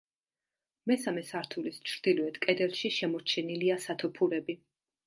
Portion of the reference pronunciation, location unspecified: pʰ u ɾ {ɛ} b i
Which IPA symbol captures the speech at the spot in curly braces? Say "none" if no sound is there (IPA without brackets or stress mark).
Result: ɛ